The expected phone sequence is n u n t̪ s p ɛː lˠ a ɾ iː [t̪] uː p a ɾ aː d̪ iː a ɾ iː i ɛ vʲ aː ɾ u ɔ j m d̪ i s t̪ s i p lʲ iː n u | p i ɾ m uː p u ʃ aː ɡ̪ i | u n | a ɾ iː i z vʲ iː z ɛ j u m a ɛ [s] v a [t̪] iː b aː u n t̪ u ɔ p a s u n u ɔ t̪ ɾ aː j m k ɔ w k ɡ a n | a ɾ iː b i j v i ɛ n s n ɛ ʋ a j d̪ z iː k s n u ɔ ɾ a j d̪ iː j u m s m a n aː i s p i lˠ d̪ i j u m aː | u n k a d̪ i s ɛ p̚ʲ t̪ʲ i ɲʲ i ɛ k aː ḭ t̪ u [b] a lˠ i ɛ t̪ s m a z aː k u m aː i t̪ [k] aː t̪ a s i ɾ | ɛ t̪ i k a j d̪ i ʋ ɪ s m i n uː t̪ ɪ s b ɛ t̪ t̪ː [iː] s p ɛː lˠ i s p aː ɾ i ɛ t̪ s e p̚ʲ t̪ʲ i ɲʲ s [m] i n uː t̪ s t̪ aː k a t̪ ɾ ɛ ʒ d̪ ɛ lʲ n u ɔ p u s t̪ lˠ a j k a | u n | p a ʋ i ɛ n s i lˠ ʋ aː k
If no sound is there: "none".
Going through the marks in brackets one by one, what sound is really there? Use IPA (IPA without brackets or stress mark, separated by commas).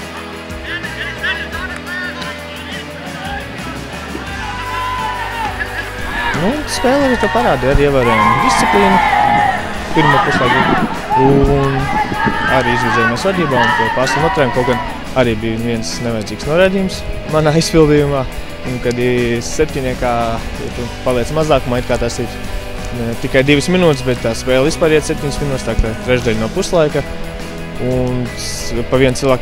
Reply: t̪, s, d̪, p, k, aː, m